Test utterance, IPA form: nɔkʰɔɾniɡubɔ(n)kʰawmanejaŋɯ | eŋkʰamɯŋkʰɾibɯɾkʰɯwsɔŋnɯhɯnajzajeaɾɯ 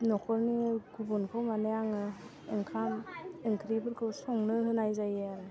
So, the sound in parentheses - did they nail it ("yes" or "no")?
yes